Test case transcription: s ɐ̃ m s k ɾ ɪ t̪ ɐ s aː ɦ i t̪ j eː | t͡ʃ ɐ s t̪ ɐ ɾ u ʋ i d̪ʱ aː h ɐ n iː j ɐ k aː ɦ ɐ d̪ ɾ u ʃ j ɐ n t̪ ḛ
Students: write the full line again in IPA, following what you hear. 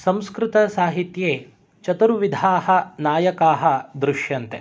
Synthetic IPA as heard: s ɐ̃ m s k ɾ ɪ t̪ ɐ s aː ɦ i t̪ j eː | t͡ʃ ɐ t̪ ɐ ɾ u ʋ i d̪ʱ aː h ɐ n aː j ɐ k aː ɦ ɐ d̪ ɾ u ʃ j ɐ n t̪ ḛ

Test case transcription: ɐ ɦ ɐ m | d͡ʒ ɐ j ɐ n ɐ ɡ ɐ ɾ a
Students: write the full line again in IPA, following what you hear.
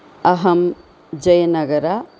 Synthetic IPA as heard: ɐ ɦ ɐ m | d͡ʒ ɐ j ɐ n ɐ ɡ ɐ ɾ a

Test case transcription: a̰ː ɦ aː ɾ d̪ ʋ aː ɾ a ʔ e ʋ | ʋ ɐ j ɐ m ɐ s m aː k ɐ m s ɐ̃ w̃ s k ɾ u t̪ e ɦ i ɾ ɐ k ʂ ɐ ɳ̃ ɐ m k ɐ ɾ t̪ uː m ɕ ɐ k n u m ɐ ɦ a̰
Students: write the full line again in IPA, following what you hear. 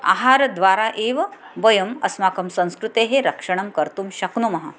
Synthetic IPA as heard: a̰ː ɦ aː ɾ d̪ ʋ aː ɾ a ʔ e ʋ | ʋ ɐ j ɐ m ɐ s m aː k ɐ m s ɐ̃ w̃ s k ɾ u t̪ e ɦ e ɾ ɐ k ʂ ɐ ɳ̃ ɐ m k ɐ ɾ t̪ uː m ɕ ɐ k n u m ɐ ɦ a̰

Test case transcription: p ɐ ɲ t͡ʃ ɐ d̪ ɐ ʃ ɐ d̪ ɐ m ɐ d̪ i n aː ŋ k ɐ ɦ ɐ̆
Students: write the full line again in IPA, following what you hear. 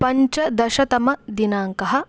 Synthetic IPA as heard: p ɐ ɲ t͡ʃ ɐ d̪ ɐ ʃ ɐ t̪ ɐ m ɐ d̪ i n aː ŋ k ɐ ɦ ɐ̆

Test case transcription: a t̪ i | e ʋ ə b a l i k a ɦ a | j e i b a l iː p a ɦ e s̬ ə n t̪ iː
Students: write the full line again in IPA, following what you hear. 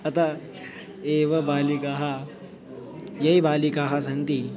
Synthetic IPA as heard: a t̪ a | e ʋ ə b a l i k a ɦ a | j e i b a l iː k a ɦ a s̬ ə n t̪ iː

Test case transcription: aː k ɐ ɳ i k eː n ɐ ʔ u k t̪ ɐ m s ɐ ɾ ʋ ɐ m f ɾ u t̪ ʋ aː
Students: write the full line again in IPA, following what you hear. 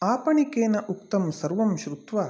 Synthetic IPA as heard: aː p ɐ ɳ i k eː n ɐ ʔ u k t̪ ɐ m s ɐ ɾ ʋ ɐ m ʃ ɾ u t̪ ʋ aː

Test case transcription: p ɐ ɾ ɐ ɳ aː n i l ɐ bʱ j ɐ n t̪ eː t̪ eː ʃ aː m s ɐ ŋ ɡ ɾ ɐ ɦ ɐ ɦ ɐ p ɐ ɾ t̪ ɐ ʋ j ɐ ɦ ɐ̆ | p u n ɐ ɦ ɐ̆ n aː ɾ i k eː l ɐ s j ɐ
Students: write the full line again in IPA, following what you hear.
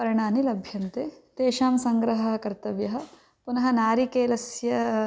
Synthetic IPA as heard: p ɐ ɾ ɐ ɳ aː n i l ɐ bʱ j ɐ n t̪ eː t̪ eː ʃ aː m s ɐ ŋ ɡ ɾ ɐ ɦ ɐ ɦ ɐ k ɐ ɾ t̪ ɐ ʋ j ɐ ɦ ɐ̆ | p u n ɐ ɦ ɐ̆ n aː ɾ i k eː l ɐ s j ɐ

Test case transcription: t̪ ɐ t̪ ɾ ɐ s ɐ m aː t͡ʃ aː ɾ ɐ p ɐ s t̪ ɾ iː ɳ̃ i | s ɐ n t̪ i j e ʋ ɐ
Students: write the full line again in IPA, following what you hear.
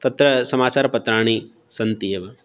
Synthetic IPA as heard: t̪ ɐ t̪ ɾ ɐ s ɐ m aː t͡ʃ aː ɾ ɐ p ɐ t̪ ɾ aː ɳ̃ i | s ɐ n t̪ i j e ʋ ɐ

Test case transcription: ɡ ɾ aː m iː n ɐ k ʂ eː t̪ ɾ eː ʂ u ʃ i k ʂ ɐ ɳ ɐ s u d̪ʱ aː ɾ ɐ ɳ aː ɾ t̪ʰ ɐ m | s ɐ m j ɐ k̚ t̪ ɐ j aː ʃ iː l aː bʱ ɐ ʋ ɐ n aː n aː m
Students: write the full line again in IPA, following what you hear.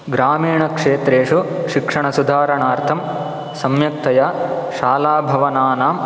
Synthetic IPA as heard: ɡ ɾ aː m iː ɳ ɐ k ʂ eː t̪ ɾ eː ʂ u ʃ i k ʂ ɐ ɳ ɐ s u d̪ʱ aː ɾ ɐ ɳ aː ɾ t̪ʰ ɐ m | s ɐ m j ɐ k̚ t̪ ɐ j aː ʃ aː l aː bʱ ɐ ʋ ɐ n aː n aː m

